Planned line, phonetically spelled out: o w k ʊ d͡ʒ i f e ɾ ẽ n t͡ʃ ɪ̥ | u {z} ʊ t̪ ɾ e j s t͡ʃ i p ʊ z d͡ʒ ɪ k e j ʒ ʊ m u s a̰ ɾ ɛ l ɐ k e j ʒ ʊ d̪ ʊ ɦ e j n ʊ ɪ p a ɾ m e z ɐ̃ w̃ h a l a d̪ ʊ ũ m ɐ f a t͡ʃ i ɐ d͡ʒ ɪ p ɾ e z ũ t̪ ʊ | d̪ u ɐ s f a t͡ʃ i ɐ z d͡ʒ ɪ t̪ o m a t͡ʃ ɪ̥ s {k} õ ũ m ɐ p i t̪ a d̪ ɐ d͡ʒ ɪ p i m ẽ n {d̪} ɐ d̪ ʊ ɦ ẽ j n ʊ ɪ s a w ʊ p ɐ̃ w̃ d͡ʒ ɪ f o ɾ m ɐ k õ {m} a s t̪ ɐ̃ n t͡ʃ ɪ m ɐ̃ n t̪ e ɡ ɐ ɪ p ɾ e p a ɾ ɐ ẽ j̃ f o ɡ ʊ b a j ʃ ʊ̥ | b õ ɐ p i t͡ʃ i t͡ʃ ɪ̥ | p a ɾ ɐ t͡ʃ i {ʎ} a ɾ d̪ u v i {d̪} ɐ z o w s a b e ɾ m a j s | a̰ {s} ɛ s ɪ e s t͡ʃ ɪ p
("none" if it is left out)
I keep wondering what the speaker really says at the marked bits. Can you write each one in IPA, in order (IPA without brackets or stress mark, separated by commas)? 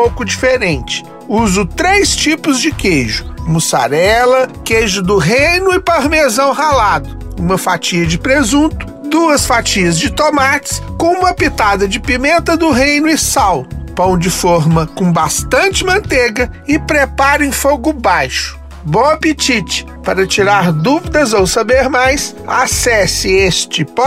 z, k, t̪, b, ɾ, d̪, s